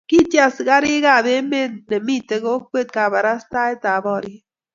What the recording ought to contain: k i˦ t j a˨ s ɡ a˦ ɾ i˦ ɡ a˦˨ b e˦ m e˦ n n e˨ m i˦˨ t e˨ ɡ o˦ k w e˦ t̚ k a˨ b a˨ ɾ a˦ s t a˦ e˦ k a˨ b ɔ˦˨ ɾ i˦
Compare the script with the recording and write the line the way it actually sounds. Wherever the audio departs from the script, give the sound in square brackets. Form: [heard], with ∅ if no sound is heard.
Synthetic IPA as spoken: k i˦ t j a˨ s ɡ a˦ ɾ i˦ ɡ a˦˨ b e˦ m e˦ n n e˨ m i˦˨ t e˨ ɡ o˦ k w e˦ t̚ k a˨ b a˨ ɾ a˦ s t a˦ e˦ [t] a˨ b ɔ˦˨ ɾ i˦